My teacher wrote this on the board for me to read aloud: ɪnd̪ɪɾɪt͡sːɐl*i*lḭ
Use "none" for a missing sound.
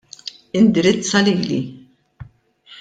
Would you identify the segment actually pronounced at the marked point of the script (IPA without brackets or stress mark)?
iː